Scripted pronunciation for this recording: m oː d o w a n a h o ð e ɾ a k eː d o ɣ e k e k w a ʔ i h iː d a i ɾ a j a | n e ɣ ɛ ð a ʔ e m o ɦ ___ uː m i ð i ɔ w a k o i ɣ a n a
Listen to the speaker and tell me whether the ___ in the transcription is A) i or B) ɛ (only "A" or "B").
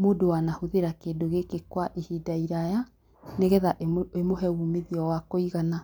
B